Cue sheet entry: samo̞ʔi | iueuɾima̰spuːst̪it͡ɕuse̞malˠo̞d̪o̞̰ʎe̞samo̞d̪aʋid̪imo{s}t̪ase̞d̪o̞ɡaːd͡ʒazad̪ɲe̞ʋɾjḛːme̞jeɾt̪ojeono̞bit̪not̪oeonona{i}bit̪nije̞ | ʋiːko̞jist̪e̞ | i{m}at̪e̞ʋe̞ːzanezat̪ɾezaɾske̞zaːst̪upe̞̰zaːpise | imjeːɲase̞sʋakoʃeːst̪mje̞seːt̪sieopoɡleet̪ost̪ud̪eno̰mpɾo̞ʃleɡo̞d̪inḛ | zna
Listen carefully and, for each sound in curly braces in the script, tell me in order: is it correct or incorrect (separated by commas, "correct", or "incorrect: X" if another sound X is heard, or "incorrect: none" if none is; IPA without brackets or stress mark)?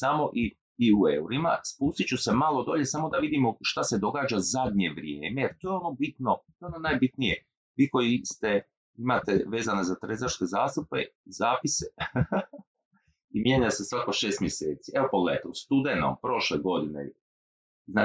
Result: incorrect: ʃ, incorrect: j, correct